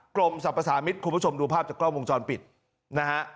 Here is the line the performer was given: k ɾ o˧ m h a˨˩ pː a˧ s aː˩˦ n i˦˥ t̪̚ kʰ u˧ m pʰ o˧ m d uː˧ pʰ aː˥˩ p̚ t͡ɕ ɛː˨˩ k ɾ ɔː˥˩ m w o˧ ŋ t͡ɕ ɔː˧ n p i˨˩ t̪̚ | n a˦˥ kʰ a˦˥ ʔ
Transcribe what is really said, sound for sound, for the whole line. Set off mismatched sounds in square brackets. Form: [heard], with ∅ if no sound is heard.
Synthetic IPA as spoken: k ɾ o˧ m [s] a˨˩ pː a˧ s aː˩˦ [m] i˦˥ t̪̚ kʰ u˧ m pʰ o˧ m d uː˧ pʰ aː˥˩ p̚ t͡ɕ [aː˨˩] k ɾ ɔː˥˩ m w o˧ ŋ t͡ɕ ɔː˧ n p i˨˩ t̪̚ | n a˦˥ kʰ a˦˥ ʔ